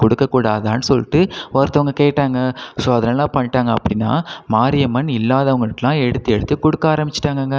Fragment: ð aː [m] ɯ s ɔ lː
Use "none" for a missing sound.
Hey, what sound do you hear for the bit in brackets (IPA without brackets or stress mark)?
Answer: n